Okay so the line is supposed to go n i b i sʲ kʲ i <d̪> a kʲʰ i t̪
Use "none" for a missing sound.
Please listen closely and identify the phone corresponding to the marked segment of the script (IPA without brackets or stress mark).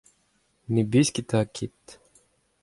t̪